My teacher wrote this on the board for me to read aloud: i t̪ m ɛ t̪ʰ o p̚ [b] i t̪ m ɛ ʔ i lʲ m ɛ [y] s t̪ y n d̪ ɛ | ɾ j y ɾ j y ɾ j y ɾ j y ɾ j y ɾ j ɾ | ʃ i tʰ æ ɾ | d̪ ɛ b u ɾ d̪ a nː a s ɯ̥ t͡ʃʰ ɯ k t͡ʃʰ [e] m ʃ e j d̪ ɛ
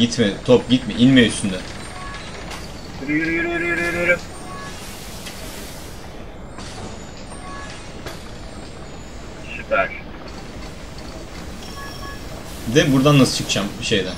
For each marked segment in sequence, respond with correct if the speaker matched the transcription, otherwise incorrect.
incorrect: ɟ, correct, incorrect: a

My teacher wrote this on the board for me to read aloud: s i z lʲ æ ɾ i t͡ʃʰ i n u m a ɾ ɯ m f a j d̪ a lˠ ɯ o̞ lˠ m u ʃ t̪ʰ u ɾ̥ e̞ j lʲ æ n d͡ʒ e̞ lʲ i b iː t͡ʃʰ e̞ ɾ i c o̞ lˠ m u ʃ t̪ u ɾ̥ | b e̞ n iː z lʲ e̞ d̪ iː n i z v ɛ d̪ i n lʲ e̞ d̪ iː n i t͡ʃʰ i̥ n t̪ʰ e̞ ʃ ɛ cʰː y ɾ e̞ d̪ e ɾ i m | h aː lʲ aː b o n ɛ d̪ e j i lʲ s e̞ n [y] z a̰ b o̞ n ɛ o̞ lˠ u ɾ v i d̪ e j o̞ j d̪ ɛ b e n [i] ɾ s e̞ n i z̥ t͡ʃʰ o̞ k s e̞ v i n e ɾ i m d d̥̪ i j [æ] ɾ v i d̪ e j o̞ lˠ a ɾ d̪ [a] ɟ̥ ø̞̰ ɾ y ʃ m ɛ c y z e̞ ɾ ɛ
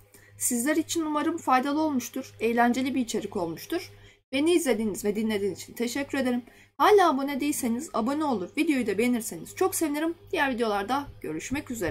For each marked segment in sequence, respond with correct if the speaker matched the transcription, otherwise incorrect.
incorrect: i, correct, correct, correct

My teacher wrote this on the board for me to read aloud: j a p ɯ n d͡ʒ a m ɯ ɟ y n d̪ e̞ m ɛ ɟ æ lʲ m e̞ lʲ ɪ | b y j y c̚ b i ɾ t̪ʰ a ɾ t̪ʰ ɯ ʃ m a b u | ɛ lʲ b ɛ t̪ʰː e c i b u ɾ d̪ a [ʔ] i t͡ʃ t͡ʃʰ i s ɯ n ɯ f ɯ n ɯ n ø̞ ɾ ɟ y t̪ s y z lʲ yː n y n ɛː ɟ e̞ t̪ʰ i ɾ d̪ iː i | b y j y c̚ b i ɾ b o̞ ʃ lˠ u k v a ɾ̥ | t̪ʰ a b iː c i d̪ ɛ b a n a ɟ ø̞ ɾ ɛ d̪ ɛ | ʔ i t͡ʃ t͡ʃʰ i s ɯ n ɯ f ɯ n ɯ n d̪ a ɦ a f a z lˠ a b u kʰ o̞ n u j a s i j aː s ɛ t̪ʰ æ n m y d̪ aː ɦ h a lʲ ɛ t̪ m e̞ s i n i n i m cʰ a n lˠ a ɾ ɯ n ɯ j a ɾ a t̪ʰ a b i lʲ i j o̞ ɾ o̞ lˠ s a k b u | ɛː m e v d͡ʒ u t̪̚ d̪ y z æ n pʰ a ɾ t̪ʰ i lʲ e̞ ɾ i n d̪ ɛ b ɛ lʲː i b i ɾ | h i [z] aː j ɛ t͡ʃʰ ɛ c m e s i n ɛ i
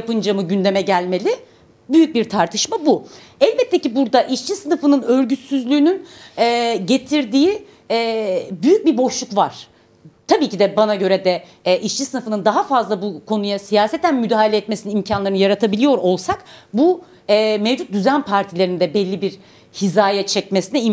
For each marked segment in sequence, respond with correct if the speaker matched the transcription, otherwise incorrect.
correct, correct

